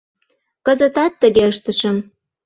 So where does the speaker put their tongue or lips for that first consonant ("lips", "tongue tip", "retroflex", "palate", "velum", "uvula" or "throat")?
velum